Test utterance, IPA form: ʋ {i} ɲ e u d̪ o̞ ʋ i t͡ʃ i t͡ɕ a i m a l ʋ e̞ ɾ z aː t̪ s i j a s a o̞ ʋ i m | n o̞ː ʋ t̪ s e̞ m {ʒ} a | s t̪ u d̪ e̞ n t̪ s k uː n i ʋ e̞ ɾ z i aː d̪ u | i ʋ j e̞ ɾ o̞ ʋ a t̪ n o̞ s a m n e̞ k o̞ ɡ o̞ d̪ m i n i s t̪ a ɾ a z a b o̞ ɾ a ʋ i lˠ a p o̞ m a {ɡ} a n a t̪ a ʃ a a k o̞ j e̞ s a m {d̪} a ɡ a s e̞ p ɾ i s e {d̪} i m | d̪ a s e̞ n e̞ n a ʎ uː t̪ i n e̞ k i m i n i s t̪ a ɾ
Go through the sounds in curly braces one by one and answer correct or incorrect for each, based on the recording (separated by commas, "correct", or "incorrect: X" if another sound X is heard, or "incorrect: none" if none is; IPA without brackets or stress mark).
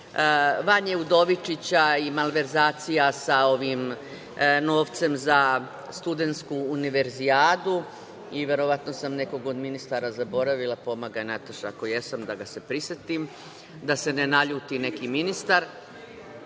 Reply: incorrect: a, incorrect: z, correct, correct, incorrect: t̪